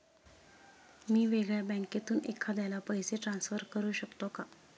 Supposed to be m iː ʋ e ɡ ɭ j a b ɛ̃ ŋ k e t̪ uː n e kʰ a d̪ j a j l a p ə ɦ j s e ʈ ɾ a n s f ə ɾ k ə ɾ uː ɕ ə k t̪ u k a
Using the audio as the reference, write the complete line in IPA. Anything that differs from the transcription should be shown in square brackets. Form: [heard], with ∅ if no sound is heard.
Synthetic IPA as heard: m iː ʋ e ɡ ɭ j a b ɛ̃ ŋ k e t̪ uː n e kʰ a d̪ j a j l a p ə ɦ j s e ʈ ɾ a n s f ə ɾ k ə ɾ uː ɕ ə k t̪ [o] k a